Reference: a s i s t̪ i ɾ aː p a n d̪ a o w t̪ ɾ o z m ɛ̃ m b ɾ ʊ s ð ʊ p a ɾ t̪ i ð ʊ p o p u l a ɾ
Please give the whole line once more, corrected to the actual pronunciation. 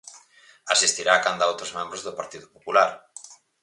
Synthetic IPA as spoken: a s i s t̪ i ɾ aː k a n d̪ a o w t̪ ɾ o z m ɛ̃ m b ɾ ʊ z ð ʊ p a ɾ t̪ i ð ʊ p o p u l a ɾ